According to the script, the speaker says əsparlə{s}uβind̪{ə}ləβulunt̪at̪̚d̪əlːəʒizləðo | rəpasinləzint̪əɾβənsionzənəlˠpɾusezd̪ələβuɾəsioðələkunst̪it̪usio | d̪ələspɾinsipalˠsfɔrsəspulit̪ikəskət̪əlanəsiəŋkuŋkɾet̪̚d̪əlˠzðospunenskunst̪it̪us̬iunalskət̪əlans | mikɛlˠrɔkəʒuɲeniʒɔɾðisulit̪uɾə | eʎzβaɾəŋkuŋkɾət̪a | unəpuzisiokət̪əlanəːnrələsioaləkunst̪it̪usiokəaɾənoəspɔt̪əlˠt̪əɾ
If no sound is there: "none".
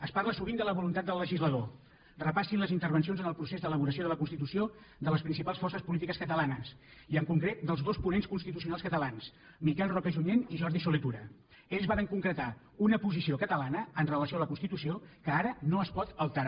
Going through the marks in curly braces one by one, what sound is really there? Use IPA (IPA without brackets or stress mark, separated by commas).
s, ə